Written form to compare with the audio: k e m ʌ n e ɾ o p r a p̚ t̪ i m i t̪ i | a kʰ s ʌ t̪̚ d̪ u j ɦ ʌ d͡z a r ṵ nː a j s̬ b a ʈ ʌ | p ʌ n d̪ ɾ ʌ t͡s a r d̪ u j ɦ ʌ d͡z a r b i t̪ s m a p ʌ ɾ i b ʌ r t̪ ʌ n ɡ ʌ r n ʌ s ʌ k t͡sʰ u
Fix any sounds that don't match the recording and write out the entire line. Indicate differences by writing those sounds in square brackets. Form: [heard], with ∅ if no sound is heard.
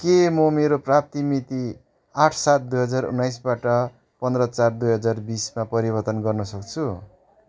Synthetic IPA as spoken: k e m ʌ [m] e ɾ o p r a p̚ t̪ i m i t̪ i | a [ʈʰ] s [a] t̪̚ d̪ u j ɦ ʌ d͡z a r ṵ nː a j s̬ b a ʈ ʌ | p ʌ n d̪ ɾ ʌ t͡s a r d̪ u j ɦ ʌ d͡z a r b i [∅] s m a p ʌ ɾ i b ʌ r t̪ ʌ n ɡ ʌ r n ʌ s ʌ k t͡sʰ u